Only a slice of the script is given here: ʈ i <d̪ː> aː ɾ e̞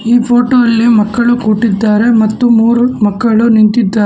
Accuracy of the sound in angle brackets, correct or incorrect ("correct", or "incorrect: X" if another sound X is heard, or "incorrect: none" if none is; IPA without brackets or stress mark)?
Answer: correct